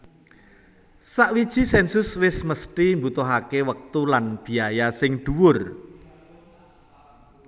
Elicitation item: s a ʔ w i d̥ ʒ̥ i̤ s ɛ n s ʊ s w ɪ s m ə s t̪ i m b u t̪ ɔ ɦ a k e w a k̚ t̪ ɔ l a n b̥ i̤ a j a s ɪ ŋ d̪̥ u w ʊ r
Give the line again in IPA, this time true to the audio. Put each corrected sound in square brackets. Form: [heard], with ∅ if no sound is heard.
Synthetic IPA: s a ʔ w i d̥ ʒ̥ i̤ s ɛ n s ʊ s w ɪ s m ə s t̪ i m b u t̪ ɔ ɦ a k e w [ə] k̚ t̪ [u] l a n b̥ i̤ a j a s ɪ ŋ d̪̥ u w ʊ r